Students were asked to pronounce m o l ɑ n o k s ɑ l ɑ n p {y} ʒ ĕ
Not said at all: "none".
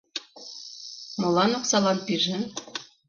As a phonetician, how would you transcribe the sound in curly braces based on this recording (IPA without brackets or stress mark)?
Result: i